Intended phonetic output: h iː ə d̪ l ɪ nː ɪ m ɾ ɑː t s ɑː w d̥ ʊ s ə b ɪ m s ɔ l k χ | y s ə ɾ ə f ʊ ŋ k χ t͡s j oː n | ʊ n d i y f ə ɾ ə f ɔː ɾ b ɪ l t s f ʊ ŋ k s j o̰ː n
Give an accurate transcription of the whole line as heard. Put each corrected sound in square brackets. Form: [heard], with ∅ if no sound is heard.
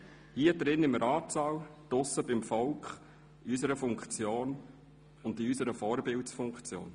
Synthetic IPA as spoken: h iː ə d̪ [ɾ] ɪ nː ɪ m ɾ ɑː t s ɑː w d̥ ʊ s ə b ɪ m [f] ɔ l k χ | y s ə ɾ ə f ʊ ŋ k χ t͡s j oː n | ʊ n d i y [s] ə ɾ ə f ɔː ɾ b ɪ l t s f ʊ ŋ k [t͡s] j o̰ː n